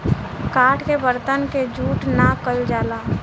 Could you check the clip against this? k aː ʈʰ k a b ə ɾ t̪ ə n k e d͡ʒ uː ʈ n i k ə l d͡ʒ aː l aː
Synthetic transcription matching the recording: k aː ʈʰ k e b ə ɾ t̪ ə n k e d͡ʒ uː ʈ n a k ə l d͡ʒ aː l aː